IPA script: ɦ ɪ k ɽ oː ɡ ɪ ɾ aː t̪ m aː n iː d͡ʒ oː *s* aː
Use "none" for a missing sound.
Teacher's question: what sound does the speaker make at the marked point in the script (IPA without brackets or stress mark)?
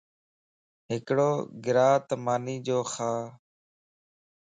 x